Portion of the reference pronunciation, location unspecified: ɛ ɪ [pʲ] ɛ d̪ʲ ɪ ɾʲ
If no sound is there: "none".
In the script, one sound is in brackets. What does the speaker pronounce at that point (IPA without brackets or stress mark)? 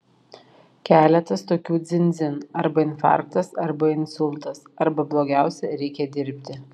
kʲ